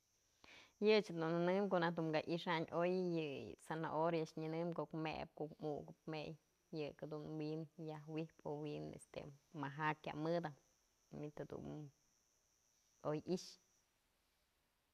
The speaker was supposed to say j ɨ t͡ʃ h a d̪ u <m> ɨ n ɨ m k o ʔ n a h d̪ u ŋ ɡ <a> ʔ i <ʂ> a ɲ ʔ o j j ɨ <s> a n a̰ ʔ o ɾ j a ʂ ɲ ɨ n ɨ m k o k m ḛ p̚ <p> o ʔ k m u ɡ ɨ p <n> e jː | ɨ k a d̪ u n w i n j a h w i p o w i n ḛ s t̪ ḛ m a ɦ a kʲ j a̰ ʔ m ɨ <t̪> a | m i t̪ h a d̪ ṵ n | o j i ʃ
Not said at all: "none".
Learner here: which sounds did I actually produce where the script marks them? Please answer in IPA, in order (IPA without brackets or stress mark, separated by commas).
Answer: n, a, ʂ, s, k, m, d̪